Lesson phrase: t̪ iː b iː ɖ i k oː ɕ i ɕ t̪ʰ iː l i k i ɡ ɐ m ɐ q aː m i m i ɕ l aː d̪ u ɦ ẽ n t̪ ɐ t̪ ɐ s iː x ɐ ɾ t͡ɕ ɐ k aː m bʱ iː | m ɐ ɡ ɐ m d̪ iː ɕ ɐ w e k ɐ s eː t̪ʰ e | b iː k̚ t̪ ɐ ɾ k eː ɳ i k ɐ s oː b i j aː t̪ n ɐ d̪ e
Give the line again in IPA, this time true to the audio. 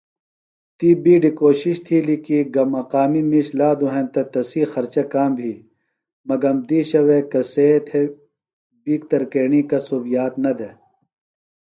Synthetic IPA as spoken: t̪ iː b iː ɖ i k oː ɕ i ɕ t̪ʰ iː l i k i ɡ ɐ m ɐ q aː m i m i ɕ l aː d̪ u ɦ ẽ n t̪ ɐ t̪ ɐ s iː x ɐ ɾ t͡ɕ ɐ k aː m bʱ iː | m ɐ ɡ ɐ m d̪ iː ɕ ɐ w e k ɐ s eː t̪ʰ e | b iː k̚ t̪ ɐ ɾ k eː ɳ i k ɐ s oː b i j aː t̪ n ɐ d̪ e